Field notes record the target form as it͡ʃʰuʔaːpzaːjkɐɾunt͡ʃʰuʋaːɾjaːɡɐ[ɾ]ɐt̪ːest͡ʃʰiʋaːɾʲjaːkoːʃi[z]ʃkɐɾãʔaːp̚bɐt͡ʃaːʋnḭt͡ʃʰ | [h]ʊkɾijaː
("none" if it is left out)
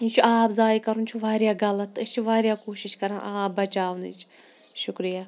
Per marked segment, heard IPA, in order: l, none, ʃ

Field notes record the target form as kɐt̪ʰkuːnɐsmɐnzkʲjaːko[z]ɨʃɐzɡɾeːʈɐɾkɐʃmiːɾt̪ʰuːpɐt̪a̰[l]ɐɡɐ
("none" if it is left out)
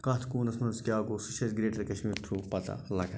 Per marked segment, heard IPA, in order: s, l

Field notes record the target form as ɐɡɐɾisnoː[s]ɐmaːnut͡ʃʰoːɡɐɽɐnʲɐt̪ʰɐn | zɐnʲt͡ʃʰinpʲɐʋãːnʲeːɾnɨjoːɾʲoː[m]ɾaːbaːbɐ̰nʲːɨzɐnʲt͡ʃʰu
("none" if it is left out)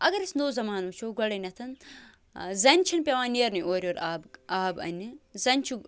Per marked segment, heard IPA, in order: z, none

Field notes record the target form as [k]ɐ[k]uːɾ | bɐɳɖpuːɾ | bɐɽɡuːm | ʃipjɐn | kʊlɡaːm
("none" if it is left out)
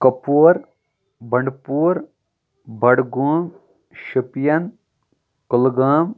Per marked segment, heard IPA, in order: k, p

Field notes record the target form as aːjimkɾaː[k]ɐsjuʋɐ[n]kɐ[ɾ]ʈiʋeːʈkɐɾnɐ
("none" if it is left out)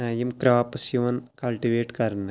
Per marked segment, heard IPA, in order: p, n, l

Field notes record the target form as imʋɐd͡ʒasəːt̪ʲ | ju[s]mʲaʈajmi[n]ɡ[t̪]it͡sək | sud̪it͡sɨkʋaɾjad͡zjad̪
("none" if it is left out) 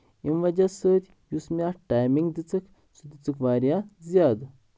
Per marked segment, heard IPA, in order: s, ŋ, d̪

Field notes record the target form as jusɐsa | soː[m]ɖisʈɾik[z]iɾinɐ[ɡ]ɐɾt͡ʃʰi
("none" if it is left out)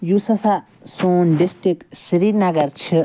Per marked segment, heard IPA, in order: n, s, ɡ

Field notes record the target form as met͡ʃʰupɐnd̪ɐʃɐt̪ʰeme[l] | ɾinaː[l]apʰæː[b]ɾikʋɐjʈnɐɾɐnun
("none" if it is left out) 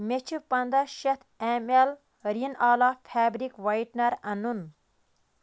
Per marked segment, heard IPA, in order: l, l, b

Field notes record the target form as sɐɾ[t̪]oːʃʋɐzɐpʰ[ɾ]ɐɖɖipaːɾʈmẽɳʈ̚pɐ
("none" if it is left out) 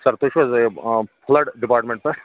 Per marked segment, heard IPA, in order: t̪, l

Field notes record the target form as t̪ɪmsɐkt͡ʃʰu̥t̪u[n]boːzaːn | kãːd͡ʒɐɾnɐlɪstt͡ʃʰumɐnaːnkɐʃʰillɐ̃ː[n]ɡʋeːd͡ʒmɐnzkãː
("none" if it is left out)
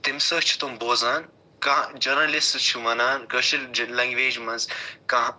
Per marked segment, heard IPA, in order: m, ŋ

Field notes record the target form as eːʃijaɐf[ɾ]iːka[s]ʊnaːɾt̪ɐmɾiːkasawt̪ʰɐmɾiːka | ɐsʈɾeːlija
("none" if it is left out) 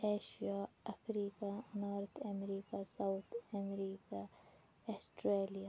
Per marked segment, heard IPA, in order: ɾ, none

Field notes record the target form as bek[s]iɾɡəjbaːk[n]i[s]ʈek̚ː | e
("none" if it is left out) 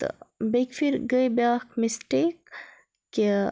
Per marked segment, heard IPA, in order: f, m, s

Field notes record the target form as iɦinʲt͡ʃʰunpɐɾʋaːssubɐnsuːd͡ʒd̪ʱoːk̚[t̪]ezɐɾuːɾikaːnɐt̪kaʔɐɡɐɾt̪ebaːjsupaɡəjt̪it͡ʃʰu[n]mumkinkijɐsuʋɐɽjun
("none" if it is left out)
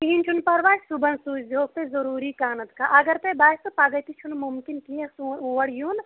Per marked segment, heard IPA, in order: t̪, n

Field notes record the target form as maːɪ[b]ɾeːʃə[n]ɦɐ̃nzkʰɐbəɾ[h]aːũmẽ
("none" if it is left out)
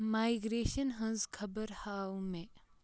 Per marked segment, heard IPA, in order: ɡ, n, h

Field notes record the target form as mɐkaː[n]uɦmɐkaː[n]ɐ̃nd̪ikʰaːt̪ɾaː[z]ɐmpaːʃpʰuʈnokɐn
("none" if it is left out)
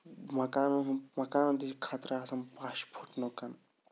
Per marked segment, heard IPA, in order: n, n, s

